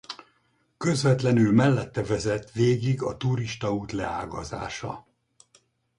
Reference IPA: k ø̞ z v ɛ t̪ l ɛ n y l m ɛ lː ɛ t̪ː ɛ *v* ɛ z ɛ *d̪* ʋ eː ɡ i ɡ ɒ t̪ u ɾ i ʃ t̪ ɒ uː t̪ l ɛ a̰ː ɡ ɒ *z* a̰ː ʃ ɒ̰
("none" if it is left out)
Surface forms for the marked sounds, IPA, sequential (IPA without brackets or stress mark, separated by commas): v, t̪, z